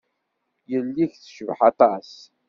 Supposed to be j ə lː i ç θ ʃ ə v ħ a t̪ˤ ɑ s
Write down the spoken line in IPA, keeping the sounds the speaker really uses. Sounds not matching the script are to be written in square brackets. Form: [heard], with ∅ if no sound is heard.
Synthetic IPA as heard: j ə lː i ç θ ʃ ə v ħ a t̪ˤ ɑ s